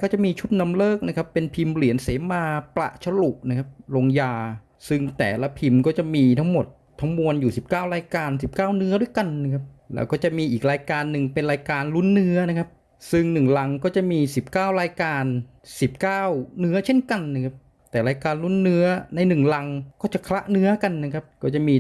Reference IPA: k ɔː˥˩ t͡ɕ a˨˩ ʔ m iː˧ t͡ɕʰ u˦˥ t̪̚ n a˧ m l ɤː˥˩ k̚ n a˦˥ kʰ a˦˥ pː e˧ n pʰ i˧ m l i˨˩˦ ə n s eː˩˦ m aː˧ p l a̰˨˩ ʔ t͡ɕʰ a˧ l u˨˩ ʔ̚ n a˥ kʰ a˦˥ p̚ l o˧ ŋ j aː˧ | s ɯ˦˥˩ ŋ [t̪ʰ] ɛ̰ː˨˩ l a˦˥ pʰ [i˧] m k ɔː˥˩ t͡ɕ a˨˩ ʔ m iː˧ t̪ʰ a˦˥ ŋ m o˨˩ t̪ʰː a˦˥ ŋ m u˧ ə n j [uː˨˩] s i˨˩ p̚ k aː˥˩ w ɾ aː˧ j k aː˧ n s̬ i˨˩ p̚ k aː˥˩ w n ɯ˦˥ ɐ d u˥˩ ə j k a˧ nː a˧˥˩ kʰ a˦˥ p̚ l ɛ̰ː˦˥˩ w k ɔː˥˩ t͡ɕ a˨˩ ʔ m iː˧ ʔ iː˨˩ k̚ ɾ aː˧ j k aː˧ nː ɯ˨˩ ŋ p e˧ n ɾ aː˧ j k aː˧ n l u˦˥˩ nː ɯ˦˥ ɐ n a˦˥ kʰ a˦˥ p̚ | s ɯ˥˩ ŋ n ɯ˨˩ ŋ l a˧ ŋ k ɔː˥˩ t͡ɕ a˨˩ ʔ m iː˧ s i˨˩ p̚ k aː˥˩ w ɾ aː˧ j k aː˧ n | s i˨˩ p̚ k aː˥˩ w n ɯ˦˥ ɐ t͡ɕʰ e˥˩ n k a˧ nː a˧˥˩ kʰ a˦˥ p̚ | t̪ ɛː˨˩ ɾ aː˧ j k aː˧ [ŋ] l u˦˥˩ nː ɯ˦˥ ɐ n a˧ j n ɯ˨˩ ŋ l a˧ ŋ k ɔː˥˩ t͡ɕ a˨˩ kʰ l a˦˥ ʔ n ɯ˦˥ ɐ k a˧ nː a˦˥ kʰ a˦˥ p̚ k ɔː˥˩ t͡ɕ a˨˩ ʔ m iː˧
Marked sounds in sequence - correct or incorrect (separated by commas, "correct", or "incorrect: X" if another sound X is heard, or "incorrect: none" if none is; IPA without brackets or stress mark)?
incorrect: t̪, correct, correct, incorrect: n